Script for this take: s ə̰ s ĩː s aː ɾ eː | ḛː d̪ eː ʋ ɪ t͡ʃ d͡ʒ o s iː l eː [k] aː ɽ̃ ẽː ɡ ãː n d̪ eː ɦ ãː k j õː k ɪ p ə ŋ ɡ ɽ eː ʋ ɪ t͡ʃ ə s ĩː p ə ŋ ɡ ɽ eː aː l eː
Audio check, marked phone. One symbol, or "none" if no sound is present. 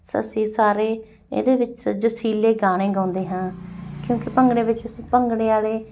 ɡ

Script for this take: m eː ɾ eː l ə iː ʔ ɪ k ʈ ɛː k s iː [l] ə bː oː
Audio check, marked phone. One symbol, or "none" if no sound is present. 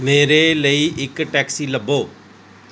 l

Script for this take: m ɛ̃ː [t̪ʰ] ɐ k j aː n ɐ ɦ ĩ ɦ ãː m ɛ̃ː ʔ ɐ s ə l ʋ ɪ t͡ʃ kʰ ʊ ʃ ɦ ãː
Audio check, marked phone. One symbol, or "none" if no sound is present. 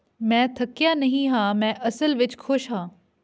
t̪ʰ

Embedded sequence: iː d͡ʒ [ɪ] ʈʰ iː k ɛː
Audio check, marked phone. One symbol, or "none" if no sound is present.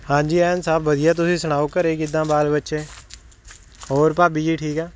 i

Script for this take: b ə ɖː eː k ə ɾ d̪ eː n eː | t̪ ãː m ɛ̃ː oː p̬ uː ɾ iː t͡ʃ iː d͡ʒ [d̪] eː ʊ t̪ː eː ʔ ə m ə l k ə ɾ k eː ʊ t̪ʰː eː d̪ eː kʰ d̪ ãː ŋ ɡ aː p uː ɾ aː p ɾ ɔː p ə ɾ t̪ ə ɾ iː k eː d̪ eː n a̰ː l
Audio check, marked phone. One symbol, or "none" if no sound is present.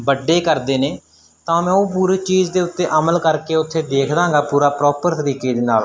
d̪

